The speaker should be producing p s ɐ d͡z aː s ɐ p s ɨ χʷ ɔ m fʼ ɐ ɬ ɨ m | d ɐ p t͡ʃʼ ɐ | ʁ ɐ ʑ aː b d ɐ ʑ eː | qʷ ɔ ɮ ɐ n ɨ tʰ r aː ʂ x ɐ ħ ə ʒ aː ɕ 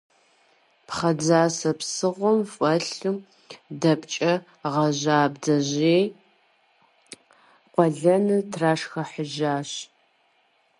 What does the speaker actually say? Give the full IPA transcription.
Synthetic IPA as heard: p χ ɐ d͡z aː s ɐ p s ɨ ʁʷ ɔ m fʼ ɐ ɬ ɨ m | d ɐ p t͡ʃʼ ɐ | ʁ ɐ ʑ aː b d ɐ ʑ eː | qʷ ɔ ɮ ɐ n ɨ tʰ r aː ʂ x ɐ ħ ə ʒ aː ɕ

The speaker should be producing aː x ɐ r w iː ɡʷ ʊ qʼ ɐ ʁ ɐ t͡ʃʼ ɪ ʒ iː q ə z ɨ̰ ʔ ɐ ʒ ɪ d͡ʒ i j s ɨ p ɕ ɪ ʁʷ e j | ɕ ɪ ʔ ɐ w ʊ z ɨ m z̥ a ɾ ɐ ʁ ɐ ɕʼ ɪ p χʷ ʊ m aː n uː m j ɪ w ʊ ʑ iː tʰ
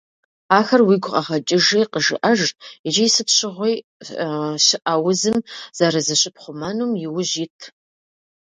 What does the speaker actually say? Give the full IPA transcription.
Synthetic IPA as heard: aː x ɐ r w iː ɡʷ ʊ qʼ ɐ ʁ ɐ t͡ʃʼ ɪ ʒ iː q ə ʒ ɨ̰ ʔ ɐ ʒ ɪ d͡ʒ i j s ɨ p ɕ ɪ ʁʷ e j | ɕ ɪ ʔ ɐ w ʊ z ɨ m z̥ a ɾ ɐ z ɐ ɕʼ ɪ p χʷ ʊ m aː n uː m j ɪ w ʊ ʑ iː tʰ

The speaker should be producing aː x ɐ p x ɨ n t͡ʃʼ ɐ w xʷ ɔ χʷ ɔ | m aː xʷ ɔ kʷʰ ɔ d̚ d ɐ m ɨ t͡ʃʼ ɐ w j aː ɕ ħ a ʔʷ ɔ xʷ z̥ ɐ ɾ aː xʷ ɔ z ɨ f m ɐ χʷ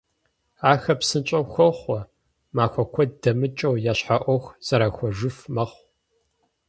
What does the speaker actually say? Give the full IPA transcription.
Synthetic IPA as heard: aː x ɐ p s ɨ n t͡ʃʼ ɐ w xʷ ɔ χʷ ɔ | m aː xʷ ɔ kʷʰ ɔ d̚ d ɐ m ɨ t͡ʃʼ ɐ w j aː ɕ ħ a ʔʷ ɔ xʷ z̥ ɐ ɾ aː xʷ ɔ ʒ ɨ f m ɐ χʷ

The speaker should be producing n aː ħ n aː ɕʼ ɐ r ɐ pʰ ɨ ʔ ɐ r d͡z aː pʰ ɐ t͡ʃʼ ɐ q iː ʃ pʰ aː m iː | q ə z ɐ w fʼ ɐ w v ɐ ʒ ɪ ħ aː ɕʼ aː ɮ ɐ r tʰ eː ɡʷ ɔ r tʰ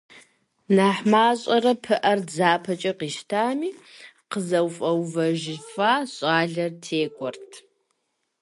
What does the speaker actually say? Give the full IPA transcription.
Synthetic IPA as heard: n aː ħ m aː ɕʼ ɐ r ɐ pʰ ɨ ʔ ɐ r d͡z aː pʰ ɐ t͡ʃʼ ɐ q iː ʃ tʰ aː m iː | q ə z ɐ w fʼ ɐ w v ɐ ʒ ɪ f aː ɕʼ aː ɮ ɐ r tʰ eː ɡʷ ɔ r tʰ

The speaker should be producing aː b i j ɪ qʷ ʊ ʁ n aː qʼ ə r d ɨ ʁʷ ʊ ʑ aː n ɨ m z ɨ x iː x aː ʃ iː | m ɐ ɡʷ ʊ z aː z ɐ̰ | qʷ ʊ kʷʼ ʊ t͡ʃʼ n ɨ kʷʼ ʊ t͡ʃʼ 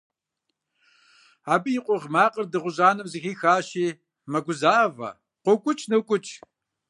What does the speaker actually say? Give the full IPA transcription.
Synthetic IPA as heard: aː b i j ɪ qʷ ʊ ʁ m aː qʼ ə r d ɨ ʁʷ ʊ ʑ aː n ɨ m z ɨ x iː x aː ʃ iː | m ɐ ɡʷ ʊ z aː v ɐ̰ | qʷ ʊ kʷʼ ʊ t͡ʃʼ n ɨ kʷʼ ʊ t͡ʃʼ

